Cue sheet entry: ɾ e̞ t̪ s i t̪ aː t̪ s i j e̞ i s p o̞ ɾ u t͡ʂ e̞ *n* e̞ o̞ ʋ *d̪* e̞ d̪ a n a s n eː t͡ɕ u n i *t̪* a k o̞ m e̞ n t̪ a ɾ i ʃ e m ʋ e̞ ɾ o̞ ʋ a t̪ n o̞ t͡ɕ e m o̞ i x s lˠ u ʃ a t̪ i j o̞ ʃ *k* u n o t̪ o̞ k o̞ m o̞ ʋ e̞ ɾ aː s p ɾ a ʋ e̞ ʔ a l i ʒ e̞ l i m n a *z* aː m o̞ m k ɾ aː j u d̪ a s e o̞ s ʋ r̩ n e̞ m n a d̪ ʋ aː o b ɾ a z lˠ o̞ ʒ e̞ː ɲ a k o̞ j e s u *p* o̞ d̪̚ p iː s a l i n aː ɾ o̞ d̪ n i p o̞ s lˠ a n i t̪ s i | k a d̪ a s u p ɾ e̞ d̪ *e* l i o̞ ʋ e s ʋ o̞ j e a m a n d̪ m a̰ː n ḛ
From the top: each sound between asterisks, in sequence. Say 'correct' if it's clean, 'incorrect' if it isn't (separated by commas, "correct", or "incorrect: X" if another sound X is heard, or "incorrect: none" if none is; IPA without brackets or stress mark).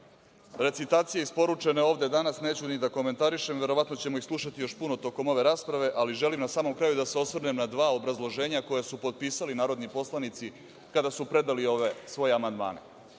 correct, correct, incorrect: d̪, incorrect: p, incorrect: s, correct, incorrect: a